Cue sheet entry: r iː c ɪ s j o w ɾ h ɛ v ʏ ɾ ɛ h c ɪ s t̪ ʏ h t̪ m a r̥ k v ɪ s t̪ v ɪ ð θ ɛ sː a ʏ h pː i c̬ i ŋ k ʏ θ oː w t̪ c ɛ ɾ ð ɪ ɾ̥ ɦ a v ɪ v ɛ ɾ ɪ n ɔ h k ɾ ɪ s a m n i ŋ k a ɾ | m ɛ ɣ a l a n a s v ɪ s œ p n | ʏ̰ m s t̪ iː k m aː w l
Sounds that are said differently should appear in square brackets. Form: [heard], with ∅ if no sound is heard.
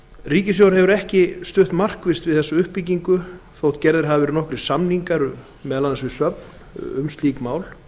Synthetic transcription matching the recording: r iː c ɪ s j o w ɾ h ɛ v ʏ ɾ ɛ h c ɪ s t̪ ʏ h t̪ m a r̥ k v ɪ s t̪ v ɪ ð θ ɛ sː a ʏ h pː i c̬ i ŋ k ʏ θ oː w t̪ c ɛ ɾ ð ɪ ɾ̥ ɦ a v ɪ v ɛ ɾ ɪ n ɔ h k ɾ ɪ s a m n i ŋ k a ɾ | m ɛ [ð] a l a n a s v ɪ s œ p n | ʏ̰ m s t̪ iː k m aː w l